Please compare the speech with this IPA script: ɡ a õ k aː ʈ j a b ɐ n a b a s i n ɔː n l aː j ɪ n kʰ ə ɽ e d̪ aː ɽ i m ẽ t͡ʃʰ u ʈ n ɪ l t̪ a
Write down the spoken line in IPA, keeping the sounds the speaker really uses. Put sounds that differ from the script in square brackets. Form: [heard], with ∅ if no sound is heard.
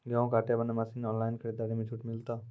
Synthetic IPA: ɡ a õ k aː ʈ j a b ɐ n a [m] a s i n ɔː n l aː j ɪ n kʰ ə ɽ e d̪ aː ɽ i m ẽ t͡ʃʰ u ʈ [m] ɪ l t̪ a